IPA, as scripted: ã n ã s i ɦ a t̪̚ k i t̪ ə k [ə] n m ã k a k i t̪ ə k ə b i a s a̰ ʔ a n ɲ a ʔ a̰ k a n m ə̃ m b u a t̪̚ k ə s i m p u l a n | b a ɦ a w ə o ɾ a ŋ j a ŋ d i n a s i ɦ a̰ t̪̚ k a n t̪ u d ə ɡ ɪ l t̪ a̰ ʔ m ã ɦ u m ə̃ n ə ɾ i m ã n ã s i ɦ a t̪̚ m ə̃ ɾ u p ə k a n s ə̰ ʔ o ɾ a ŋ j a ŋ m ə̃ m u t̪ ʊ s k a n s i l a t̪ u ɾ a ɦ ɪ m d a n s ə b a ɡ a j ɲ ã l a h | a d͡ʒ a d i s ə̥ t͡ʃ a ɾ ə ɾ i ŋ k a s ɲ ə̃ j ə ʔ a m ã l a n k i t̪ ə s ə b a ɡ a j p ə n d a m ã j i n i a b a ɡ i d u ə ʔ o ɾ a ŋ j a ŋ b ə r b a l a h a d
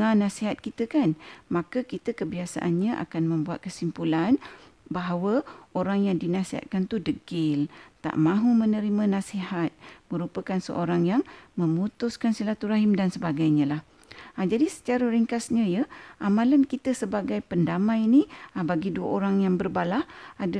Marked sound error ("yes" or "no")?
yes